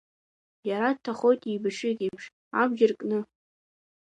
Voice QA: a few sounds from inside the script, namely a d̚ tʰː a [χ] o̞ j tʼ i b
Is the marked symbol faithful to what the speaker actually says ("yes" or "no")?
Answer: yes